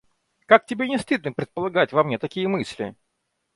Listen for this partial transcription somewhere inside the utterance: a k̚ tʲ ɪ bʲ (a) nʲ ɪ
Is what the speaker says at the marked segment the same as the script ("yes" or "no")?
no